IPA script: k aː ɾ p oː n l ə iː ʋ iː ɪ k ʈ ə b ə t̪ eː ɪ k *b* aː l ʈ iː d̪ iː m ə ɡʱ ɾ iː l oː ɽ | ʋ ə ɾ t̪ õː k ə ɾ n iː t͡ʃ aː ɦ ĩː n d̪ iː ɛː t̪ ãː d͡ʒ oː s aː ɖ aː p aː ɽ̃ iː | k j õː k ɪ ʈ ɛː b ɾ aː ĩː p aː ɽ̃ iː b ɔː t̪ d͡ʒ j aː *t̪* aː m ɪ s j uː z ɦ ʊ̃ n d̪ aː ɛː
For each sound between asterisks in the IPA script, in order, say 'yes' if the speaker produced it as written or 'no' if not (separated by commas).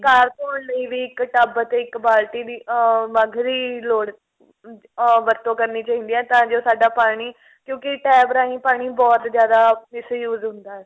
yes, no